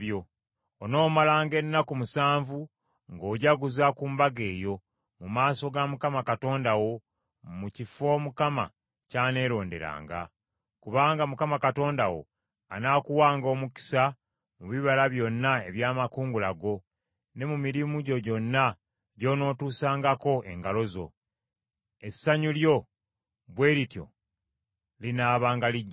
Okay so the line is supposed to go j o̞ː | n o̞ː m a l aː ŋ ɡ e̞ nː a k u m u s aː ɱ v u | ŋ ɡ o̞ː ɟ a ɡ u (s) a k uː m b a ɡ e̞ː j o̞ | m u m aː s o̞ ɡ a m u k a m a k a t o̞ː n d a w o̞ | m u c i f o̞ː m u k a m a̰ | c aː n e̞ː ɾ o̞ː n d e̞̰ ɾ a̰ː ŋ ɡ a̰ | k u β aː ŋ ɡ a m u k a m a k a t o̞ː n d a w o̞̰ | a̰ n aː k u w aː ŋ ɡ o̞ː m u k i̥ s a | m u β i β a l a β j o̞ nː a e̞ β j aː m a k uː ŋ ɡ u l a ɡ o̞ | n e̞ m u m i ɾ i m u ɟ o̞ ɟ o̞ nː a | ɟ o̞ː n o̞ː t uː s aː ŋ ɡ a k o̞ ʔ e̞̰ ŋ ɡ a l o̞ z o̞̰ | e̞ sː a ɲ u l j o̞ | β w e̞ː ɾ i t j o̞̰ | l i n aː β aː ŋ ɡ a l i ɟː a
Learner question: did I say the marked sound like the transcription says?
no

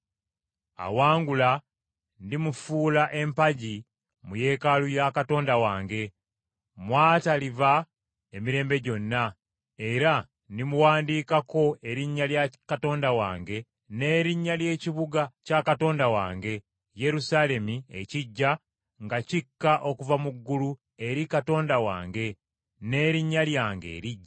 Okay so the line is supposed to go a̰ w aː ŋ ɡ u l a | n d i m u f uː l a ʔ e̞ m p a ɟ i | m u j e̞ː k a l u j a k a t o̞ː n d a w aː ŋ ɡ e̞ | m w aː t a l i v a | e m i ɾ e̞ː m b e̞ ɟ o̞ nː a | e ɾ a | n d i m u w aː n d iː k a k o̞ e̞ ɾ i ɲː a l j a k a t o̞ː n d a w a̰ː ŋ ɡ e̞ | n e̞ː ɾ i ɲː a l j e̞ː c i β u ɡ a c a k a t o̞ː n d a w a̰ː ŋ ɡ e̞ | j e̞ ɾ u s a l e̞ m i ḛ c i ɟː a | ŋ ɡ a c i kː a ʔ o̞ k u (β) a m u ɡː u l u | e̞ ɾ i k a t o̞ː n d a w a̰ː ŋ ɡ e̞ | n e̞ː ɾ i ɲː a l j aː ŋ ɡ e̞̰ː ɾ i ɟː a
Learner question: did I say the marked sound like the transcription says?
no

